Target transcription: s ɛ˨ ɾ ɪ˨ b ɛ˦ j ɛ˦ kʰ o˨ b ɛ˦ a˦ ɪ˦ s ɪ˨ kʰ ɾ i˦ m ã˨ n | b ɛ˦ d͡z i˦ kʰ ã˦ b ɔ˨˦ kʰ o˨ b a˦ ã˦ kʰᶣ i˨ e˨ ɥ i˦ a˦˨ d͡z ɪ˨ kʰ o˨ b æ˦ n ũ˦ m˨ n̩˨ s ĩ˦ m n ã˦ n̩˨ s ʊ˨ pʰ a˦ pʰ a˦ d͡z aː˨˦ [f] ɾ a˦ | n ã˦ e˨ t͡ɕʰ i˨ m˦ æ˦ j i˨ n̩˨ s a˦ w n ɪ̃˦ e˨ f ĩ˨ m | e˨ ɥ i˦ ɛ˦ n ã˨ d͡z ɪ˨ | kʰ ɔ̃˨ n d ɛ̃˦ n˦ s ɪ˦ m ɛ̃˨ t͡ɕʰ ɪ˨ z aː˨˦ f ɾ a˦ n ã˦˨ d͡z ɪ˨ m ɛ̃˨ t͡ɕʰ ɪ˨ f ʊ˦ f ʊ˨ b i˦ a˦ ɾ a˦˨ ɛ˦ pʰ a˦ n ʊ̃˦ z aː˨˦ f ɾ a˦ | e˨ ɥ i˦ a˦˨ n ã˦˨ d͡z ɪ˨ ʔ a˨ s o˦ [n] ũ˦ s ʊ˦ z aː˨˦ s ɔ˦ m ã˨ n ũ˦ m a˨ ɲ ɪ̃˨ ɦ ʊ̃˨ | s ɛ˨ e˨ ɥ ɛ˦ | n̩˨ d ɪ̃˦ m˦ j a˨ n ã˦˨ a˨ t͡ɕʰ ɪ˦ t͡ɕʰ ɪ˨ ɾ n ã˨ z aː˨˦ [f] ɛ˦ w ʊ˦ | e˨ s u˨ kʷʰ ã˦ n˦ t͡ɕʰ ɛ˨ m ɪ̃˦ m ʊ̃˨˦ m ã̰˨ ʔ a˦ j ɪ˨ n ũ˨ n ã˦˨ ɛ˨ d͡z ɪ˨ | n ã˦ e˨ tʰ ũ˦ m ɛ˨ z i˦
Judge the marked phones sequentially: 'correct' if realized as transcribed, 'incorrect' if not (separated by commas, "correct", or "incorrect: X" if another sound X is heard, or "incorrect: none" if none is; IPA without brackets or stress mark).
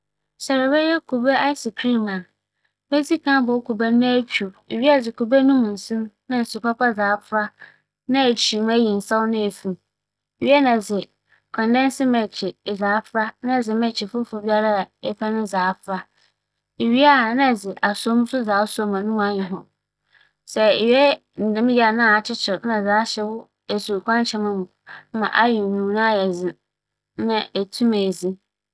correct, incorrect: m, incorrect: ɕ